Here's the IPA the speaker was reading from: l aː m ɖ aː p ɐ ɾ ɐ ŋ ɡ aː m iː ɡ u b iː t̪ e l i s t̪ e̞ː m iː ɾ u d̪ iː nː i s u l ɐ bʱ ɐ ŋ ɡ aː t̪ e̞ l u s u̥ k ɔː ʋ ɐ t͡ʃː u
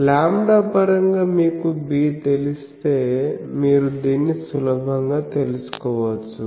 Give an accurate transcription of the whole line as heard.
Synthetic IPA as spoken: l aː m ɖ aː p ɐ ɾ ɐ ŋ ɡ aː m iː k u b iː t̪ e l i s t̪ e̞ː m iː ɾ u d̪ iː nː i s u l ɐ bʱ ɐ ŋ ɡ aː t̪ e̞ l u s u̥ k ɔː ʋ ɐ t͡ʃː u